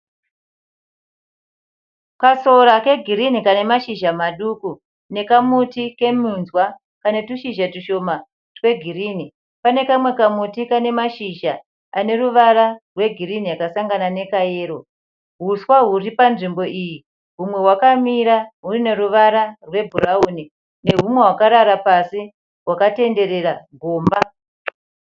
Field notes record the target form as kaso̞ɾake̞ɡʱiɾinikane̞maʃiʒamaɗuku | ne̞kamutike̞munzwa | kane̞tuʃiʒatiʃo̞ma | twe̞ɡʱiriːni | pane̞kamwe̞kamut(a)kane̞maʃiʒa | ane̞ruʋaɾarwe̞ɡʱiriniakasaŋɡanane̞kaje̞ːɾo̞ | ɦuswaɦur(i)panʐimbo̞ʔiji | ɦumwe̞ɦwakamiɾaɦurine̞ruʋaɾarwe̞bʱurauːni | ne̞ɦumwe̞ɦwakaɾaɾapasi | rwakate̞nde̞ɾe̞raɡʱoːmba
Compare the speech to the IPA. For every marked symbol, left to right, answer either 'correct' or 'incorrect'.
incorrect: i, correct

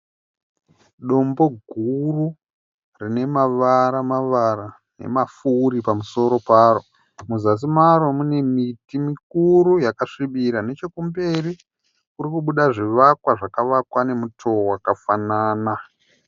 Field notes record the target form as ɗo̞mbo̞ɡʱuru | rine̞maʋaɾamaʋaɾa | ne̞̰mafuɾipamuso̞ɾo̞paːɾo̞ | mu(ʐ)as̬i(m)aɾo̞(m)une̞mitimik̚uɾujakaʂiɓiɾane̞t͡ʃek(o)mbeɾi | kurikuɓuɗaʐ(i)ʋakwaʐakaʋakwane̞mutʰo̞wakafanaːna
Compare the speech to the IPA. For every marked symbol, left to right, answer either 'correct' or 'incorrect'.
incorrect: z, correct, correct, incorrect: u, correct

